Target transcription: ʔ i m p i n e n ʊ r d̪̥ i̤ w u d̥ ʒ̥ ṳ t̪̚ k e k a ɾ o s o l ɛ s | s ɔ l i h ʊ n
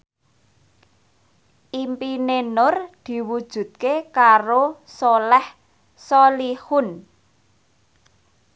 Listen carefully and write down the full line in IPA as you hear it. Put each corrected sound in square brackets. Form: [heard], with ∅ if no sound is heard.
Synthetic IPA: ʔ i m p i n e n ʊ r d̪̥ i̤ w u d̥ ʒ̥ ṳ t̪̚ k e k a ɾ o s o l ɛ [h] | s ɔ l i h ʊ n

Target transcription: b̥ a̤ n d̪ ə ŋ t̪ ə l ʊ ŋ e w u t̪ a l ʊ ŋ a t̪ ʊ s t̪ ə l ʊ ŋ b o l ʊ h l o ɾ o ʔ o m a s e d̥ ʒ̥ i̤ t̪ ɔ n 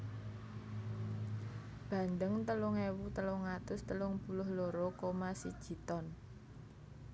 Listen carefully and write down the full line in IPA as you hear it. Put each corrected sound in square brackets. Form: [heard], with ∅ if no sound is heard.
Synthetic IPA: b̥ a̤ n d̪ ə ŋ t̪ ə l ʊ ŋ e w u t̪ [ə] l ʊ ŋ a t̪ ʊ s t̪ ə l ʊ ŋ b [u] l ʊ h l o ɾ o [k] o m a s [i] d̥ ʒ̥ i̤ t̪ ɔ n

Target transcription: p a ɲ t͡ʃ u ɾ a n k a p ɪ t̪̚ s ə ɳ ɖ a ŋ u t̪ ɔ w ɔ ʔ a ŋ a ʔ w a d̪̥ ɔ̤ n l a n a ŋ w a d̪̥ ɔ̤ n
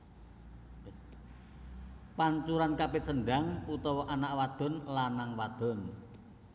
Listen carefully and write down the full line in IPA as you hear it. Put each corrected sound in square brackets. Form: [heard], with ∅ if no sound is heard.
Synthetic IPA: p a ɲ t͡ʃ u ɾ a n k a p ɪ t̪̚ s ə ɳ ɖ a ŋ u t̪ ɔ w ɔ ʔ a [n] a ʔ w a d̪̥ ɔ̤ n l a n a ŋ w a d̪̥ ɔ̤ n

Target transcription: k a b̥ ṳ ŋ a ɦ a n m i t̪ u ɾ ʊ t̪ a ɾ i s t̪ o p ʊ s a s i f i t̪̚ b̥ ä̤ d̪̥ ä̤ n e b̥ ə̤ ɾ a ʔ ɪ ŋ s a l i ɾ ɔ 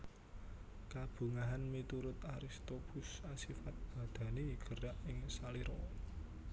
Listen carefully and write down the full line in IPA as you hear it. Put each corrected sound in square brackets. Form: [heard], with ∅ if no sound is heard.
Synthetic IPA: k a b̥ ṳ ŋ a ɦ a n m i t̪ u ɾ ʊ t̪ a ɾ i s t̪ o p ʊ s a s i f [a] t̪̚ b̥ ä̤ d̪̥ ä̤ n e [ɡ̥] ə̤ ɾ a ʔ ɪ ŋ s a l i ɾ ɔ

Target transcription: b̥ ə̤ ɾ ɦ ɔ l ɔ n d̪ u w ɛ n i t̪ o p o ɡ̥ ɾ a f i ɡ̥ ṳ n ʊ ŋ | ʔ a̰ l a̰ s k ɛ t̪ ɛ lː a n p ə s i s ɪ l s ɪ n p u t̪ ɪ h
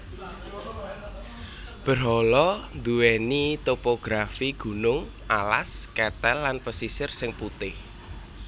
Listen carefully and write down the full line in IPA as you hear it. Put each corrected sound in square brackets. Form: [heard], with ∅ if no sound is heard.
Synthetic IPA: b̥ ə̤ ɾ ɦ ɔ l ɔ n d̪ u w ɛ n i t̪ o p o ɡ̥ ɾ a f i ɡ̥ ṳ n ʊ ŋ | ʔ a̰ l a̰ s k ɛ t̪ ɛ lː a n p ə s i s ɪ [r] s ɪ [ŋ] p u t̪ ɪ h

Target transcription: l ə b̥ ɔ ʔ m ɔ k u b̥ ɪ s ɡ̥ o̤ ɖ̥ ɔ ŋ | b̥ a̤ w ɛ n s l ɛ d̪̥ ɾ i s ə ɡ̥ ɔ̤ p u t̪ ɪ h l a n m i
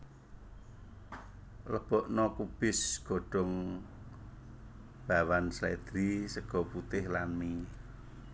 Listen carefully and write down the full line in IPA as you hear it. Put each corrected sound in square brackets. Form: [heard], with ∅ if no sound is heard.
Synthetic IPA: l ə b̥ ɔ ʔ [n] ɔ k u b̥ ɪ s ɡ̥ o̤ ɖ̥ ɔ ŋ | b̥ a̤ w [a] n s l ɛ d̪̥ ɾ i s ə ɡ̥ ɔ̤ p u t̪ ɪ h l a n m i

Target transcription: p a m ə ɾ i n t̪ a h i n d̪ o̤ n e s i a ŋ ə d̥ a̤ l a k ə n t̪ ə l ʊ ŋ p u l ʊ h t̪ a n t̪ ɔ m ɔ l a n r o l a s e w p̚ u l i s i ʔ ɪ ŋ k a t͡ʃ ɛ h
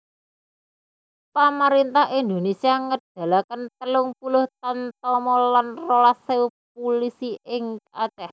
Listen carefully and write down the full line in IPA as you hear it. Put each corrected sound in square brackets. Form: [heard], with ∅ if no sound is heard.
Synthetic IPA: p a m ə ɾ i n t̪ a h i n d̪ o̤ n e s i a ŋ ə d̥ a̤ l a k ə n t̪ ə l ʊ ŋ p u l ʊ h t̪ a n t̪ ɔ m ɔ l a n r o l a s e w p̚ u l i s i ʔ ɪ ŋ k a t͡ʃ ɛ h

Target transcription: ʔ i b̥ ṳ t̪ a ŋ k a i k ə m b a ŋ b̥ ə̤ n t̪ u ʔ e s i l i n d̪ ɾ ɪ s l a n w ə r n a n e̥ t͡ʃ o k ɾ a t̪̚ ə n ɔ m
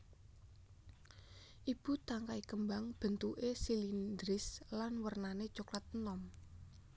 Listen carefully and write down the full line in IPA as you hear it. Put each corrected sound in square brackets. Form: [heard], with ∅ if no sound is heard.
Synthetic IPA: ʔ i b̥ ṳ t̪ a ŋ k a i k ə m b a ŋ b̥ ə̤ n t̪ u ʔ e s i l i n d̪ ɾ ɪ s l a n w ə r n a n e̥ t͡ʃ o k [l] a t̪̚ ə n ɔ m

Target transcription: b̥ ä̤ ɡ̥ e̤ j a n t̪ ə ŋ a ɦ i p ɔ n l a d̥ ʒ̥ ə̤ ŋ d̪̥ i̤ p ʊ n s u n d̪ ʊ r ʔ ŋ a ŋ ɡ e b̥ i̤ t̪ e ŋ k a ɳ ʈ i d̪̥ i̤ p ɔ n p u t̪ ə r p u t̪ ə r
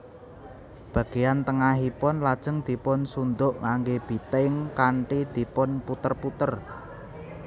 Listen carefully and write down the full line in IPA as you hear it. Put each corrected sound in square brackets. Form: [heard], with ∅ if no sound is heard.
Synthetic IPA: b̥ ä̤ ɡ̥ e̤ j a n t̪ ə ŋ a ɦ i p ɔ n l a d̥ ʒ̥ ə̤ ŋ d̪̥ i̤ p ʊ n s u n d̪ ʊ [∅] ʔ ŋ a ŋ ɡ e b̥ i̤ t̪ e ŋ k a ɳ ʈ i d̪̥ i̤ p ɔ n p u t̪ ə r p u t̪ ə r

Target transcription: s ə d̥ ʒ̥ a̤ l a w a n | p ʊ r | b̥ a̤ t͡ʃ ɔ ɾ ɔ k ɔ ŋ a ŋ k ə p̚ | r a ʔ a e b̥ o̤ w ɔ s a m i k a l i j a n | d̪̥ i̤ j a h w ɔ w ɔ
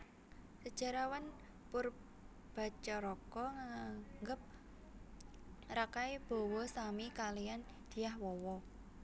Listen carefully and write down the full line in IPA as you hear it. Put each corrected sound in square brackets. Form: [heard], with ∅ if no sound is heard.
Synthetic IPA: s ə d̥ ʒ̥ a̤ [ɾ] a w a n | p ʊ r | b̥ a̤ t͡ʃ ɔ ɾ ɔ k ɔ ŋ a ŋ [ɡ] ə p̚ | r a [k] a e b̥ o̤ w ɔ s a m i k a l i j a n | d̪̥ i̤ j a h w ɔ w ɔ

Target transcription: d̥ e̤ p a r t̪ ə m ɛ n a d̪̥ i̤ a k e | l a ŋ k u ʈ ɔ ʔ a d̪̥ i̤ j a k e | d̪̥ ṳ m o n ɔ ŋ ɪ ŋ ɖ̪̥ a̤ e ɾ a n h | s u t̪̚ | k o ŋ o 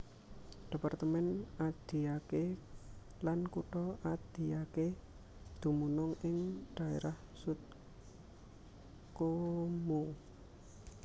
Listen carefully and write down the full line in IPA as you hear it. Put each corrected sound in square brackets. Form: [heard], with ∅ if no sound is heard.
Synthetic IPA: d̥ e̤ p a r t̪ ə m ɛ n a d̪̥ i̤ a k e | l a [n] k u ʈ ɔ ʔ a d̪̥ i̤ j a k e | d̪̥ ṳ m [u] n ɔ ŋ ɪ ŋ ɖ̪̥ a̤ e ɾ a [∅] h | s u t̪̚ | k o [m] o

